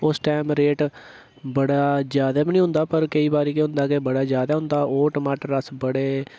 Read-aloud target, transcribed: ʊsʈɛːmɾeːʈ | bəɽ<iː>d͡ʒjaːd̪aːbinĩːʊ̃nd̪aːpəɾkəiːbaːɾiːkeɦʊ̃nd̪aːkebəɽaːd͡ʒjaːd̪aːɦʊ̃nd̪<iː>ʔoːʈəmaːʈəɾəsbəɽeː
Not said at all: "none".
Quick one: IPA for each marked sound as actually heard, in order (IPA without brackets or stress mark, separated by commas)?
aː, aː